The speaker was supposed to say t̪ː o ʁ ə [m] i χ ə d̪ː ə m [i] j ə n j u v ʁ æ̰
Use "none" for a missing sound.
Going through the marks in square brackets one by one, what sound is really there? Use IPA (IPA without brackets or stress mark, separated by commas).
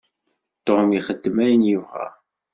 m, æ